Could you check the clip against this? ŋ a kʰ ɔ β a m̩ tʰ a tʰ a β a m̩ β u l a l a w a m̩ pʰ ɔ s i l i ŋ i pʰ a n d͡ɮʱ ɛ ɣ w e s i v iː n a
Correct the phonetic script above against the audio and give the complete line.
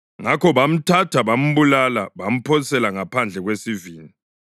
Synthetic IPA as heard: ŋ a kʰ ɔ β a m̩ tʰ a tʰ a β a m̩ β u l a l a β a m̩ pʰ ɔ s ɛ l a ŋ a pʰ a n d͡ɮʱ ɛ ɣ w e s i v iː n i